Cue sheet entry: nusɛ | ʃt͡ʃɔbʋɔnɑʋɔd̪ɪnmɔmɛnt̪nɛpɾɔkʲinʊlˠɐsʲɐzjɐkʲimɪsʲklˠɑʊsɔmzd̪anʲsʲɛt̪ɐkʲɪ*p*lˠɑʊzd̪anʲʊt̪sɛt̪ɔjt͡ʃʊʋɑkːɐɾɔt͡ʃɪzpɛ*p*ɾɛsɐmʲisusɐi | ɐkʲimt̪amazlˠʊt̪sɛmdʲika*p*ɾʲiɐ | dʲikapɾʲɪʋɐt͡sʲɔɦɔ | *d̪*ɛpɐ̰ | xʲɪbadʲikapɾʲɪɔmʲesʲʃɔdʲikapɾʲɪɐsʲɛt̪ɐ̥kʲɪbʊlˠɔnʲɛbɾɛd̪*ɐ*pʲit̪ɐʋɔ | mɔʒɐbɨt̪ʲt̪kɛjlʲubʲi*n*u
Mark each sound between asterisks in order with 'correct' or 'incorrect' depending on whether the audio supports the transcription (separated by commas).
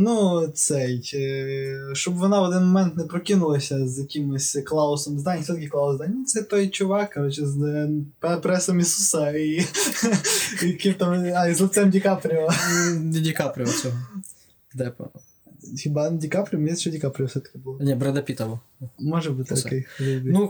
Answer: incorrect, correct, correct, correct, correct, correct